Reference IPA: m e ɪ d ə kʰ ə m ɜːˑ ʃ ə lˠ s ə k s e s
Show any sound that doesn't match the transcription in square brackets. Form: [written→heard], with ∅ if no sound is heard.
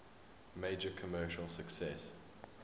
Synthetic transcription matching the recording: m e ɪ [d→d͡ʒ] ə kʰ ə m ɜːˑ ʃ ə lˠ s ə k s [e→ɛ] s